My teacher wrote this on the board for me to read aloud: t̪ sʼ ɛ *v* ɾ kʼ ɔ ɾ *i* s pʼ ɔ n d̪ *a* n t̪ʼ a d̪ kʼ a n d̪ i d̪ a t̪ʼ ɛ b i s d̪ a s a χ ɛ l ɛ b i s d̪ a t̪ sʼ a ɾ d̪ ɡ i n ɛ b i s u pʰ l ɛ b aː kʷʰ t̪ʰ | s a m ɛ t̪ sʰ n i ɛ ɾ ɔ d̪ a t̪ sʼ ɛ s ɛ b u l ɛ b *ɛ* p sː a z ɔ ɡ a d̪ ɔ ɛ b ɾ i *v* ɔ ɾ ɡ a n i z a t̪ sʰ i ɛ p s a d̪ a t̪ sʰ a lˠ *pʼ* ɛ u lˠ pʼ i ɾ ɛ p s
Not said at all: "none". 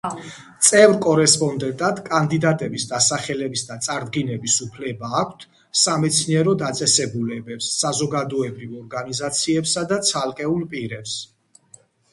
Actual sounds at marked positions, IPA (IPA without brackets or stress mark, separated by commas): v, ɛ, ɛ, ɛ, v, kʼ